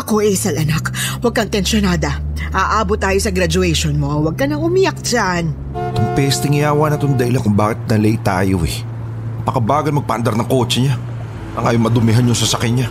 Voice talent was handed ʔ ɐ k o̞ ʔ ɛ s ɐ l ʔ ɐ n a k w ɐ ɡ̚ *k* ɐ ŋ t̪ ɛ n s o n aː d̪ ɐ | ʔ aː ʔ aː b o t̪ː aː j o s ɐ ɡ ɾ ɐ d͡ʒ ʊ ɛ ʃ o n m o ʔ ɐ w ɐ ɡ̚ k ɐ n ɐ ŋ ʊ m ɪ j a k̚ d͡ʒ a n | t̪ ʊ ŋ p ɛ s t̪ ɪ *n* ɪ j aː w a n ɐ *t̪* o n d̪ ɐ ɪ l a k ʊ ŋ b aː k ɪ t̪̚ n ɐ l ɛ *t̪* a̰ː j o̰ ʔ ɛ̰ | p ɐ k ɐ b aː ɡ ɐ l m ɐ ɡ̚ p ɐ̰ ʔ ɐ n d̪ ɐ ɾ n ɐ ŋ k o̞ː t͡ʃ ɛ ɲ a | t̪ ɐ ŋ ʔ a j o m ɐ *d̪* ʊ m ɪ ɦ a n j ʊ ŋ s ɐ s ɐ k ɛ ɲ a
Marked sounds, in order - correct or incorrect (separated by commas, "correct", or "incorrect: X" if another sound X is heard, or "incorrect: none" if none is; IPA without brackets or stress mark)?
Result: correct, incorrect: ŋ, correct, correct, correct